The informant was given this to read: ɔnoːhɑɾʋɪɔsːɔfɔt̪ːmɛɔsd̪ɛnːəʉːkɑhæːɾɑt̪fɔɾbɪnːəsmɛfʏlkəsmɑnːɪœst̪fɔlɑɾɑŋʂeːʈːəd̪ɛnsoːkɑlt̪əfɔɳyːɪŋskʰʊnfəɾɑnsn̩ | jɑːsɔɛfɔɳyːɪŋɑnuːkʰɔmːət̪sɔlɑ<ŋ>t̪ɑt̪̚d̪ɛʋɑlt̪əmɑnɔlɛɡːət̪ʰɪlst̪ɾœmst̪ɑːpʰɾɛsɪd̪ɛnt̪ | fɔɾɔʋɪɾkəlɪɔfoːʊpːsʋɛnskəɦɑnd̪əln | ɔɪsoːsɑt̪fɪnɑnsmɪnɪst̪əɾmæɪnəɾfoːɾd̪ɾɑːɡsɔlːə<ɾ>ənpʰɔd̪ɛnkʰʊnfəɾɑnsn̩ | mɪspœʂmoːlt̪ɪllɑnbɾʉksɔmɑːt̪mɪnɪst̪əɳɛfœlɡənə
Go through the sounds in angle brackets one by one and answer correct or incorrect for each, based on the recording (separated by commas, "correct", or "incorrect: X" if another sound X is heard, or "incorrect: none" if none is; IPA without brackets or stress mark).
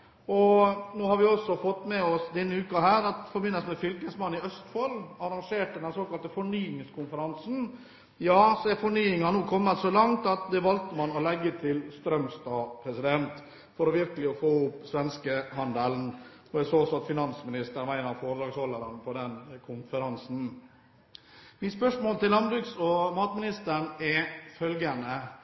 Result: correct, correct